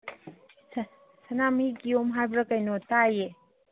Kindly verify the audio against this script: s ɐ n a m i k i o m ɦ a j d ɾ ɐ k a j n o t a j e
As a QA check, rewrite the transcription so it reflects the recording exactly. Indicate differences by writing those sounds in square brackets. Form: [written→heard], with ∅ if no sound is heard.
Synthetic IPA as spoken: s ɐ n a m i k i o m ɦ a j [d→b] ɾ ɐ k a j n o t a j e